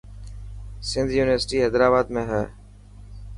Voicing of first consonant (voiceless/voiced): voiceless